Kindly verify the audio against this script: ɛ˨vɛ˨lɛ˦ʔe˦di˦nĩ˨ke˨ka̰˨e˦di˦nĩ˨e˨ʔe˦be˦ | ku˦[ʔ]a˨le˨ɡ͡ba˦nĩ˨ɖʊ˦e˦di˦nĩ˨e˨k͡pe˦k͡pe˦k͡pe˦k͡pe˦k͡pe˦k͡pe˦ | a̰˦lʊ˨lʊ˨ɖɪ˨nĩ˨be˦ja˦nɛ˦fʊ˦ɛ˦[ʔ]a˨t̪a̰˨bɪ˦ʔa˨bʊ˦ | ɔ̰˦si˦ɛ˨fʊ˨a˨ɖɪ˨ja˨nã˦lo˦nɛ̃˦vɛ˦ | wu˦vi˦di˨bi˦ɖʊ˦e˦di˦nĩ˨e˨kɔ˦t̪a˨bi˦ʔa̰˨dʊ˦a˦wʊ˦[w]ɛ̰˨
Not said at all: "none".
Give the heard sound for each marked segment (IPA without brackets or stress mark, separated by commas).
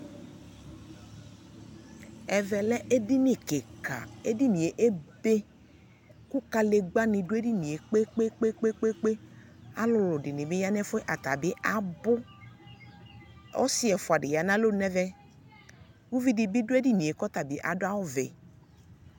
k, ʔ, v